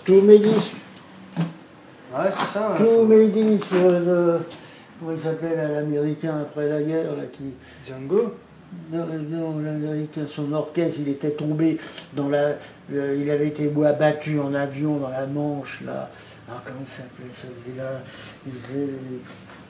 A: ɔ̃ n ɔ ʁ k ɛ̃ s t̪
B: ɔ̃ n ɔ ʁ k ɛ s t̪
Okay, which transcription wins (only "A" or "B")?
B